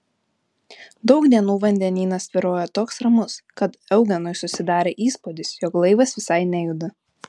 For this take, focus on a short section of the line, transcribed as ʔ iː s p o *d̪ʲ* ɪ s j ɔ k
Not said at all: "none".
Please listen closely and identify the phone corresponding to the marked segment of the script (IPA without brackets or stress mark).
d̪ʲ